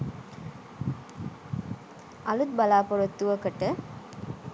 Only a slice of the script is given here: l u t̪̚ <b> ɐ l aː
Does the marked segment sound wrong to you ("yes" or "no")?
no